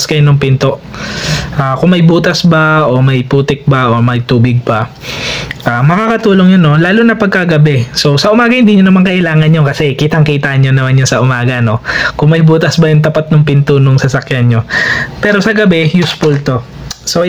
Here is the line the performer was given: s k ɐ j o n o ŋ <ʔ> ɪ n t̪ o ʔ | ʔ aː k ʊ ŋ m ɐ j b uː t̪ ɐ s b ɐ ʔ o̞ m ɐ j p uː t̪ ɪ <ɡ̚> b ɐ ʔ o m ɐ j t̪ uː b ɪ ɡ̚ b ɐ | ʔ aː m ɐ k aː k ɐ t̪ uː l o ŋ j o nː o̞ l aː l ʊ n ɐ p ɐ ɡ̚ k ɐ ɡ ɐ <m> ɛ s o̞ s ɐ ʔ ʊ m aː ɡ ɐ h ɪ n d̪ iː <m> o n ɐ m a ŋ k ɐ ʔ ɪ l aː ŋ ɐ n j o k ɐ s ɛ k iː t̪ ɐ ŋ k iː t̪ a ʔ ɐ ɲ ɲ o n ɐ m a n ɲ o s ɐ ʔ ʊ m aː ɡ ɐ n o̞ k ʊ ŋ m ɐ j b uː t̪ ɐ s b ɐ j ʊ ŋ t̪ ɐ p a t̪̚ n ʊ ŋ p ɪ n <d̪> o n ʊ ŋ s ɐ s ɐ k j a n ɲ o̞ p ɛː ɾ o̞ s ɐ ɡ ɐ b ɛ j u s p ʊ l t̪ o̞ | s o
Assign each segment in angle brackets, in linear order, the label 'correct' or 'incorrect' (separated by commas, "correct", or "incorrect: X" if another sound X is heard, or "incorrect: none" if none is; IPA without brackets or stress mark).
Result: incorrect: p, incorrect: k̚, incorrect: b, incorrect: ɲ, incorrect: t̪